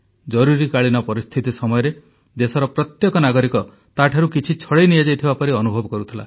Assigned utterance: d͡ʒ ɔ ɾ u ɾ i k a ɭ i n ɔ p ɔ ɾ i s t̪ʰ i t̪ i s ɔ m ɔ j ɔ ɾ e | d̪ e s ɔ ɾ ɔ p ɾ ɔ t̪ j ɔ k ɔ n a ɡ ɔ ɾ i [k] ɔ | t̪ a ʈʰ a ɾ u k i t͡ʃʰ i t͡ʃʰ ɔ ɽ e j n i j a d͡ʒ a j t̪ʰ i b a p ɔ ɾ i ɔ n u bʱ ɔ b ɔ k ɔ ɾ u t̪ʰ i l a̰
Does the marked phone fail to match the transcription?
no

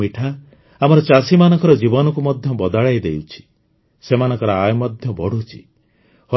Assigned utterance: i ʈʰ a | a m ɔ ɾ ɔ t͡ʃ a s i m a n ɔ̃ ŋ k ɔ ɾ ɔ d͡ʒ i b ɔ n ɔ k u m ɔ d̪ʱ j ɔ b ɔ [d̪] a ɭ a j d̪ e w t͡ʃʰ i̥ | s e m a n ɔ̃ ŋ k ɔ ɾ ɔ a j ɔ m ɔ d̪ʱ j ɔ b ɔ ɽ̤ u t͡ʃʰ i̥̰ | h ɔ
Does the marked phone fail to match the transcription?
no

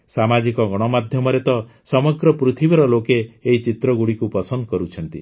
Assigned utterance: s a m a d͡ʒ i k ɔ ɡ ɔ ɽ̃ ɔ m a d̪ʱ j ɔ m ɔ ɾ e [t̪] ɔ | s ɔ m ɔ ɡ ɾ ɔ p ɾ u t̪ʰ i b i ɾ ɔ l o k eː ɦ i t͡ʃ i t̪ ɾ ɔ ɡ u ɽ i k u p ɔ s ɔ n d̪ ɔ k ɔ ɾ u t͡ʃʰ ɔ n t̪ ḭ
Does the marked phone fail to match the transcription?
no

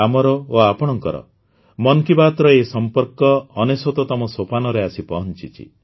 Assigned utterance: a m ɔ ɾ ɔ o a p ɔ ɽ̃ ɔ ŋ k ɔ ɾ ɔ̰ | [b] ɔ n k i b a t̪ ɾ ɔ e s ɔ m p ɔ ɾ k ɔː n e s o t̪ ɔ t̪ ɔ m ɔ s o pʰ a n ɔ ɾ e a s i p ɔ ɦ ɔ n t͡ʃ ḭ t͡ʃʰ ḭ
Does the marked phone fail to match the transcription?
yes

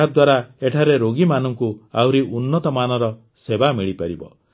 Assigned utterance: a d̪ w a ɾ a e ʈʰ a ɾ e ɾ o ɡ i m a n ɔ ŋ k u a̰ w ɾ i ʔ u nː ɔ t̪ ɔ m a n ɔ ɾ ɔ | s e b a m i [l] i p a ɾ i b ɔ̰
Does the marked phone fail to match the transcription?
yes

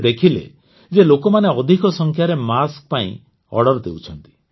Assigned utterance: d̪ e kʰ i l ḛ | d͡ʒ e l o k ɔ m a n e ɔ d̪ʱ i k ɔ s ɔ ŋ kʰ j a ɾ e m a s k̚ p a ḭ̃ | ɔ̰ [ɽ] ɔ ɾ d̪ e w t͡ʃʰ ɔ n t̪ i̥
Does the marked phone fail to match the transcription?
no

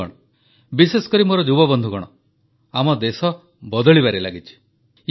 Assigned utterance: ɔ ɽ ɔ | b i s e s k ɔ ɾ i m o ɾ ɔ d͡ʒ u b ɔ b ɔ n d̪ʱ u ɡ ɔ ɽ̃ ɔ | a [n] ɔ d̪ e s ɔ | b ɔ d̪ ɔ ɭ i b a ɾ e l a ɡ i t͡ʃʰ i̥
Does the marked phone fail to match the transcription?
yes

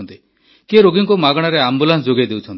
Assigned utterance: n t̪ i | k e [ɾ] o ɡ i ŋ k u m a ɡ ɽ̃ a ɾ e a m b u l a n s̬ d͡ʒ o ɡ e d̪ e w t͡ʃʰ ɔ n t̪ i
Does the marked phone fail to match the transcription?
no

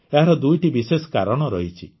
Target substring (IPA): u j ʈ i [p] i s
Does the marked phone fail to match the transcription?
yes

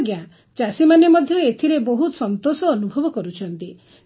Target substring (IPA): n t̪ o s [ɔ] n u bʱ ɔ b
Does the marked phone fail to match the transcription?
yes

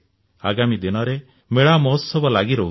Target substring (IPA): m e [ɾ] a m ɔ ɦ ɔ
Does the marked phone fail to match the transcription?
yes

